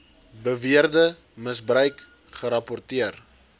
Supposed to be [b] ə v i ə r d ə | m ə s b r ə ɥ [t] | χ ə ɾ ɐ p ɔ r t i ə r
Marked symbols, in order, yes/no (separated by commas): yes, no